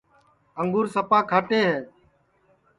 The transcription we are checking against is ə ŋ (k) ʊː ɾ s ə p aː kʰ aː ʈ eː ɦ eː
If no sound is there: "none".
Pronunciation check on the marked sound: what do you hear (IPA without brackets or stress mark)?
ɡ